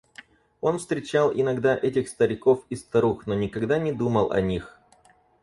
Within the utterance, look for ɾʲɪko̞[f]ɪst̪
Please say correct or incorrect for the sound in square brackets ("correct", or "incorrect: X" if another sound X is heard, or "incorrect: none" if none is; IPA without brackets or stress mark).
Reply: correct